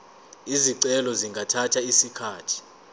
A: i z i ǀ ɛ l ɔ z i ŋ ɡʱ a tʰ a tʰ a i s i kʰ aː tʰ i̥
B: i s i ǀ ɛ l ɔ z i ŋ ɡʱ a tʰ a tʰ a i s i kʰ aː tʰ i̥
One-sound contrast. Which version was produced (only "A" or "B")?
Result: A